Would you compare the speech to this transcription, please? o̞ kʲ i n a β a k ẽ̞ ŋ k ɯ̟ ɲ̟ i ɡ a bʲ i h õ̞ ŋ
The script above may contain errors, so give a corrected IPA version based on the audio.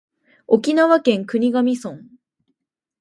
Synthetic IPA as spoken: o̞ kʲ i n a β a k ẽ̞ ŋ k ɯ̟ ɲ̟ i ɡ a mʲ i s õ̞ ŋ